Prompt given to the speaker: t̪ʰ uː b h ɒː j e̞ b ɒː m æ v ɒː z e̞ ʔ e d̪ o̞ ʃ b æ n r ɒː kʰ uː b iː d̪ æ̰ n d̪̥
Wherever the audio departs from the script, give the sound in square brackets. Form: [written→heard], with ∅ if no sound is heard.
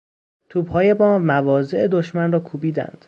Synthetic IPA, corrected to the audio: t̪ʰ uː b h ɒː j e̞ b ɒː m æ v ɒː z e̞ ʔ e d̪ o̞ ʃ [b→m] æ n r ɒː kʰ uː b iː d̪ æ̰ n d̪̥